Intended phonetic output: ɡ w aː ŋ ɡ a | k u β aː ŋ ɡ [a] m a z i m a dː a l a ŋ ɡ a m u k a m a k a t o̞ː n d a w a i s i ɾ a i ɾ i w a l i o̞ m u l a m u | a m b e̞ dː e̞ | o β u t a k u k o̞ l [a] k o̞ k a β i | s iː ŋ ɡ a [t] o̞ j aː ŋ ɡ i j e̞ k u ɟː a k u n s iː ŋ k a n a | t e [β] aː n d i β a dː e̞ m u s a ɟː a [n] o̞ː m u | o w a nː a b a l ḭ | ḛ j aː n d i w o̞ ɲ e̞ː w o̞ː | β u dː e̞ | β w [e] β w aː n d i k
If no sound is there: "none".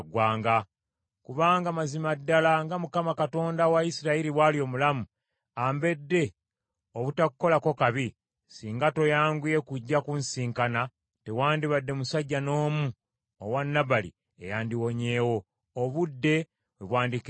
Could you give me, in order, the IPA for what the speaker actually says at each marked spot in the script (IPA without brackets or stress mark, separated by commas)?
a, a, t, w, n, e